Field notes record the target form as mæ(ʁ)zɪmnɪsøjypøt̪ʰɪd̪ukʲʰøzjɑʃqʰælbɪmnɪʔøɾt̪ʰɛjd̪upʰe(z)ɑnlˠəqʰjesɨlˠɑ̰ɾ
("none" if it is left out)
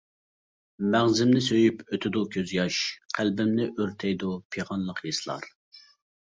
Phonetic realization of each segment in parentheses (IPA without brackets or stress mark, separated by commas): ʁ, ʁ